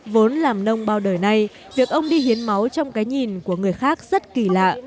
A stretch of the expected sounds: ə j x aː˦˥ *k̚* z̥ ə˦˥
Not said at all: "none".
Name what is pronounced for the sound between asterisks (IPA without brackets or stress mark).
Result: k̚